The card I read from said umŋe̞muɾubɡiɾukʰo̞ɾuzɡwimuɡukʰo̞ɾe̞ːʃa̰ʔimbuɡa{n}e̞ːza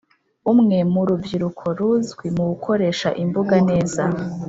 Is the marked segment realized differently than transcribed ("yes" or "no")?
no